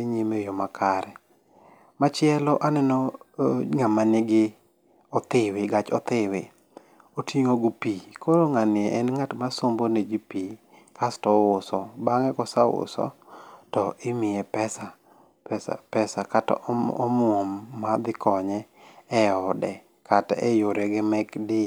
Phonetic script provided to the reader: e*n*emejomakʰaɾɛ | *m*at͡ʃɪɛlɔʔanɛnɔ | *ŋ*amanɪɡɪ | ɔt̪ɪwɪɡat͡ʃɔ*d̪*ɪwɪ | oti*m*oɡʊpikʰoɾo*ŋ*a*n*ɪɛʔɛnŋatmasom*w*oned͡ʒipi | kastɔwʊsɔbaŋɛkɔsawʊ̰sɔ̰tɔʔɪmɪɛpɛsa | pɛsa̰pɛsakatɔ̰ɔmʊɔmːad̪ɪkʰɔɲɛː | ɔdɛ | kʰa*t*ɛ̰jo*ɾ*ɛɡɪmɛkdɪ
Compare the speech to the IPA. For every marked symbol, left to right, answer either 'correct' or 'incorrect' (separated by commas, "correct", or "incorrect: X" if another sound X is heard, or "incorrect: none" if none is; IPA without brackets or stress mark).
incorrect: ɲ, correct, correct, incorrect: t̪, incorrect: ŋ, correct, correct, incorrect: b, correct, correct